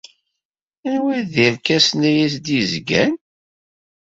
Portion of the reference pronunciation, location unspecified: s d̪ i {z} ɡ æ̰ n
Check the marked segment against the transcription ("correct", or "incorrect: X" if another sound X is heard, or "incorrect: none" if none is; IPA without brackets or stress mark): correct